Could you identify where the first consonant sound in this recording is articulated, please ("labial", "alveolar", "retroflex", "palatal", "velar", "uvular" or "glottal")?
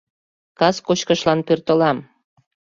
velar